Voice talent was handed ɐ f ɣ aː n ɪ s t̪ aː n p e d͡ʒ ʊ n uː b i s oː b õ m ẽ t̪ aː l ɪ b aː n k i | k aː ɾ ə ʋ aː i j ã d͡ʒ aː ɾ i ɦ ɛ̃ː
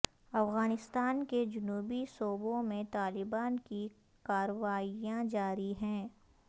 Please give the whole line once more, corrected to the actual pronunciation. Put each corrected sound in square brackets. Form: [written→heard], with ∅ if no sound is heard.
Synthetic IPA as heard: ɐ f ɣ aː n ɪ s t̪ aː n [p→k] e d͡ʒ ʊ n uː b i s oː b õ m ẽ t̪ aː l ɪ b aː n k i | k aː ɾ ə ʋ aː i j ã d͡ʒ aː ɾ i ɦ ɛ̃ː